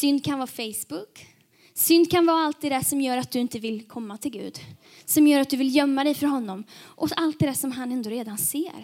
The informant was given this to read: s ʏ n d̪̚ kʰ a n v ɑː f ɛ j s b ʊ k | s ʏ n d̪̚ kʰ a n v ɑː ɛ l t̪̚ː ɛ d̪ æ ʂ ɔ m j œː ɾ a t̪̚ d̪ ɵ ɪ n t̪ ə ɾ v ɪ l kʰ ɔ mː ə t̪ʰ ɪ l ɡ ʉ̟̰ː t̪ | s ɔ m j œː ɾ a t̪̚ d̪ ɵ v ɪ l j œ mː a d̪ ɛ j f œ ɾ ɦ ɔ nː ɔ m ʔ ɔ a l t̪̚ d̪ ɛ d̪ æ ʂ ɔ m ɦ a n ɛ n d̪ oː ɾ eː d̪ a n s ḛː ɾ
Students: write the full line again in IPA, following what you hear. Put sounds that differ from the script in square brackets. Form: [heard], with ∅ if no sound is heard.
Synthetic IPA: s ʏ n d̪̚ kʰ a n v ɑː f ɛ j s b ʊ k | s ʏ n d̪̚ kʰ a n v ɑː [a] l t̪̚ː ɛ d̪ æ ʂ ɔ m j œː ɾ a t̪̚ d̪ ɵ ɪ n t̪ ə [∅] v ɪ l kʰ ɔ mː [a] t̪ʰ ɪ l ɡ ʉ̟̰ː [d̪] | s ɔ m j œː ɾ a t̪̚ d̪ ɵ v ɪ l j œ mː a d̪ ɛ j f œ ɾ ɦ ɔ nː ɔ m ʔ ɔ a l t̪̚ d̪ ɛ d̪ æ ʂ ɔ m ɦ a n ɛ n d̪ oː ɾ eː d̪ a n s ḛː ɾ